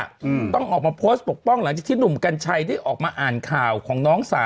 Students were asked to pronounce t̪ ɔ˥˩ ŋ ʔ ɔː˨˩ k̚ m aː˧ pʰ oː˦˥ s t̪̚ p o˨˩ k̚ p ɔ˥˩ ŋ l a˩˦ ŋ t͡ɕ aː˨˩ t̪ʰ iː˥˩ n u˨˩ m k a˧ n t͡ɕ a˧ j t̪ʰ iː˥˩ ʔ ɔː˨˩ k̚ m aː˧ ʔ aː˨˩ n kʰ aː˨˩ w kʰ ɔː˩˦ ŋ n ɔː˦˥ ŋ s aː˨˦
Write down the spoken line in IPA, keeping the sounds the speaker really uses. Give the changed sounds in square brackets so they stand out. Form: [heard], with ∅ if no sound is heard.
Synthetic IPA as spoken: t̪ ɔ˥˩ ŋ ʔ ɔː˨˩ k̚ m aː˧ pʰ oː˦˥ s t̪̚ p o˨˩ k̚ p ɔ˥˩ ŋ l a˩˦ ŋ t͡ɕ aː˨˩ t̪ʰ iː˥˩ n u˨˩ m k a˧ n [t͡ɕʰ] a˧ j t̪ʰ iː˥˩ ʔ ɔː˨˩ k̚ m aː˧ ʔ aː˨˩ n kʰ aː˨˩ w kʰ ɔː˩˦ ŋ n ɔː˦˥ ŋ s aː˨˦

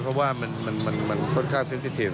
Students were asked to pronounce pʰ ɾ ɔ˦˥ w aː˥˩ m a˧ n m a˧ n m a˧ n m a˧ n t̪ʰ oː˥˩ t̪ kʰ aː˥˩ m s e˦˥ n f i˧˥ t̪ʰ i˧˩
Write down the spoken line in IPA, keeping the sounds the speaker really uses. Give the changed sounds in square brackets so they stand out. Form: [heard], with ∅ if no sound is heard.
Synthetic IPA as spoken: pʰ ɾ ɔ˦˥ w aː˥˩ m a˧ n m a˧ n m a˧ n m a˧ n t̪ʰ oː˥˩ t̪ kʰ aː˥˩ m s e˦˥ n [s] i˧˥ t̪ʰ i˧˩

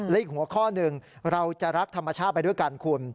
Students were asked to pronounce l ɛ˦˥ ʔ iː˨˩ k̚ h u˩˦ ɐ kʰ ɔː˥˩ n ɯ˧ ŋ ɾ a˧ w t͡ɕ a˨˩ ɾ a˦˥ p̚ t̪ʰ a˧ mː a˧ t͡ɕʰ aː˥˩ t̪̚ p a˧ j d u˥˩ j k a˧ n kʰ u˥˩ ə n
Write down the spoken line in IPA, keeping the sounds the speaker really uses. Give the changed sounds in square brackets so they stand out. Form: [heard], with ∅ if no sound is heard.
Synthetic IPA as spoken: l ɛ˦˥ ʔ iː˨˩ k̚ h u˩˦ ɐ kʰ ɔː˥˩ n ɯ˧ ŋ ɾ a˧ w t͡ɕ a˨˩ ɾ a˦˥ [k̚] t̪ʰ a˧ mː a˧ t͡ɕʰ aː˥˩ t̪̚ p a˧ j d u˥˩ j k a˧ n kʰ [u˧] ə n

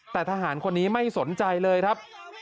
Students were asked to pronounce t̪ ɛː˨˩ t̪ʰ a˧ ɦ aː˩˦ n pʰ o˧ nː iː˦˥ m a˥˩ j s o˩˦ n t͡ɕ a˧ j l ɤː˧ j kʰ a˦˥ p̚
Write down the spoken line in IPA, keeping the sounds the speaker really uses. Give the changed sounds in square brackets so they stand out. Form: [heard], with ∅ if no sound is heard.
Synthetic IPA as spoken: t̪ ɛː˨˩ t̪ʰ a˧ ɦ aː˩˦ n [kʰ] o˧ nː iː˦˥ m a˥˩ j s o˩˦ n t͡ɕ a˧ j l ɤː˧ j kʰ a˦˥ p̚

